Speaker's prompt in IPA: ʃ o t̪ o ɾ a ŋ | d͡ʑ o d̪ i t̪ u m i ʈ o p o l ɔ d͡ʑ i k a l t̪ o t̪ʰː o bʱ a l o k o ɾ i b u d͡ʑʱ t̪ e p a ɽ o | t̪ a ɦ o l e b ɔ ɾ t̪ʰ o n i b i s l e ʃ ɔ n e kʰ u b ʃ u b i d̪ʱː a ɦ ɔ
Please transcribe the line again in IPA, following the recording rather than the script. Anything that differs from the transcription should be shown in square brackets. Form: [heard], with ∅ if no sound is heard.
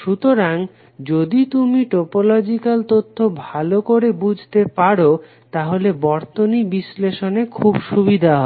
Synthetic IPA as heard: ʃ [u] t̪ o ɾ a ŋ | d͡ʑ o d̪ i t̪ u m i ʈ o p o l ɔ d͡ʑ i k a l t̪ o t̪ʰː o bʱ a l o k o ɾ [e] b u d͡ʑʱ t̪ e p a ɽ o | t̪ a ɦ o l e b ɔ ɾ [t̪] o n i b i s l e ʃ [o] n e kʰ u b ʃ u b i [d̪ʱ] a ɦ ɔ

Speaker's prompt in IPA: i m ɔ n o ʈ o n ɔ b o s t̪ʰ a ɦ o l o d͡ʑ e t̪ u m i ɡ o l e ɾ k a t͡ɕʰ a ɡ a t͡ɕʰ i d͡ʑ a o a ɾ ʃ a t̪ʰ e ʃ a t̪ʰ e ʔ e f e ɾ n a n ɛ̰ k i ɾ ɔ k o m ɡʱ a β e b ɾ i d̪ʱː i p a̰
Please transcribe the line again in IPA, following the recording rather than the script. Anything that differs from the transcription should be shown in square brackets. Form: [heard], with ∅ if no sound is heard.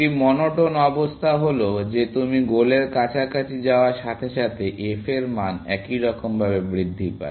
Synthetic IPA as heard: i m ɔ n o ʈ o n ɔ b o s t̪ʰ a ɦ o l o d͡ʑ e t̪ u m i ɡ o l e ɾ k a t͡ɕʰ a [k] a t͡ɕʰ i d͡ʑ a o a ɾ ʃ a t̪ʰ e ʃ a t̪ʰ e ʔ e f e ɾ [m] a n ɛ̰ k i ɾ ɔ k o m [bʱ] a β e b ɾ i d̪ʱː i p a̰

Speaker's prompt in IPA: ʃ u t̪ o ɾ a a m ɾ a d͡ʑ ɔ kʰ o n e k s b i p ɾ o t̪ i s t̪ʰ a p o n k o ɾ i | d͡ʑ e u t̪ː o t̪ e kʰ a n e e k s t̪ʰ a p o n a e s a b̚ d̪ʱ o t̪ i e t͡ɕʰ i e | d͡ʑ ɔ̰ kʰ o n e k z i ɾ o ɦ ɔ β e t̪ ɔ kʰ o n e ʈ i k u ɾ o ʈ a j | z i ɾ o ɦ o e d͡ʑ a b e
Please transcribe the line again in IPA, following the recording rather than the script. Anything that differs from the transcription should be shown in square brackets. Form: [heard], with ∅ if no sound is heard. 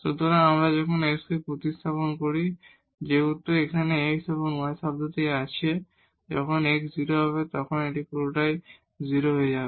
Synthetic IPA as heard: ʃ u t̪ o ɾ a a m ɾ a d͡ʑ ɔ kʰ o n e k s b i p ɾ o t̪ i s t̪ʰ a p o n k o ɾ i | d͡ʑ e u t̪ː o [∅] e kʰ a n e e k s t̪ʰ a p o n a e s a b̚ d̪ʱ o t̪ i [a] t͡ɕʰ i e | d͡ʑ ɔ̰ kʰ o n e k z i ɾ o ɦ ɔ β e t̪ ɔ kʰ o n e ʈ i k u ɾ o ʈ a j | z i ɾ o ɦ o e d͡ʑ a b e

